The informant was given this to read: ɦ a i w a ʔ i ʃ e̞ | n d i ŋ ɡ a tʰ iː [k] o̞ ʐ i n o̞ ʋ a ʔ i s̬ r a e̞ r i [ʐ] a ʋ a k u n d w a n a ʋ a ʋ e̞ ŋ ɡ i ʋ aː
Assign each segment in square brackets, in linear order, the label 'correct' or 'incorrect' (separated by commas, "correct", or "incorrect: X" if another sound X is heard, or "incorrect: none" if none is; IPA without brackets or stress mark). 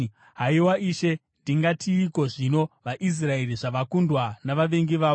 correct, correct